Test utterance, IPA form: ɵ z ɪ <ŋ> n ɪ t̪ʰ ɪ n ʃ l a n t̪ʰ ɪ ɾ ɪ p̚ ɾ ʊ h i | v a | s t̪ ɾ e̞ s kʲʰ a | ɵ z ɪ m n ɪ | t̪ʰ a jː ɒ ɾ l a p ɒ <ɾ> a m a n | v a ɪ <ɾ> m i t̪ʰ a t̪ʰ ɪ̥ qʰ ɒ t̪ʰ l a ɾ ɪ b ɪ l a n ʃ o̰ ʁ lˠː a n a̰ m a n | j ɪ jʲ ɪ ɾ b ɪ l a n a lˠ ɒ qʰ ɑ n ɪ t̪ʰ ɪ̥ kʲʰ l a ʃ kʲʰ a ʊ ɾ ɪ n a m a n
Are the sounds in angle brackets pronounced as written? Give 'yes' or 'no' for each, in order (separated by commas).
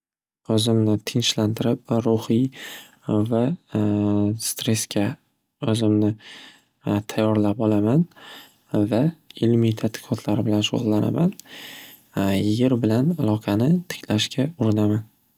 no, no, no